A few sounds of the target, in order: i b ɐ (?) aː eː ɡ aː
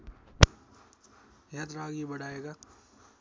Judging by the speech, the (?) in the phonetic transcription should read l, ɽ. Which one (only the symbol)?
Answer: ɽ